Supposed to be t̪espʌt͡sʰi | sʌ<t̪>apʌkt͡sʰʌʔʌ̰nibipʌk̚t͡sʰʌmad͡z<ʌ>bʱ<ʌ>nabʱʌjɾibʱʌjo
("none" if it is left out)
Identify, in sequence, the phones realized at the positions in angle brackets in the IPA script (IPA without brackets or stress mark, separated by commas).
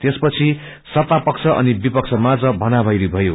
t̪, ʌ, ʌ